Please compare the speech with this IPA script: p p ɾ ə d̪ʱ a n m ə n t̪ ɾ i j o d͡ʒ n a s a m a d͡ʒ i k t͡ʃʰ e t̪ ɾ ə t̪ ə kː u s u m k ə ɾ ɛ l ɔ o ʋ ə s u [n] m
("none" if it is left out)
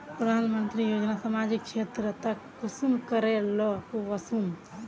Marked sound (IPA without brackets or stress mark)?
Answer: none